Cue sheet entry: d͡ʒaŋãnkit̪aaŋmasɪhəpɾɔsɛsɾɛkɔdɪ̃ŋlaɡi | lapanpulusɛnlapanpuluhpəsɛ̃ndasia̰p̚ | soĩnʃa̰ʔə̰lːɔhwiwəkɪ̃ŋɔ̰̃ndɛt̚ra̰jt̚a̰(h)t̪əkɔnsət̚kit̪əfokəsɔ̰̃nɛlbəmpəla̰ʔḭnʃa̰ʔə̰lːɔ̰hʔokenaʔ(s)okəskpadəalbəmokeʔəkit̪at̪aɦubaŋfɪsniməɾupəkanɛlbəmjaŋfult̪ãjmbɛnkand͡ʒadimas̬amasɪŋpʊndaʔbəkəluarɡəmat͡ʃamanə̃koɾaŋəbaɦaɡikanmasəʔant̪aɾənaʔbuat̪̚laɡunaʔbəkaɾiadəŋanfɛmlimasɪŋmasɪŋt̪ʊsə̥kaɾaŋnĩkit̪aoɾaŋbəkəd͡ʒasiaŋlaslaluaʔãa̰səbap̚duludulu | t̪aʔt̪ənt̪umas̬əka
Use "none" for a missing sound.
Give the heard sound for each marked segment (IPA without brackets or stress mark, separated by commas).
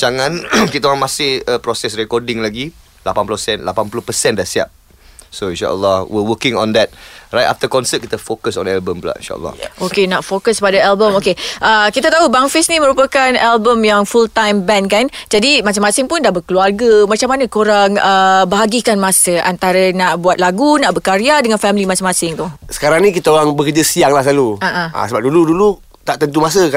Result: f, f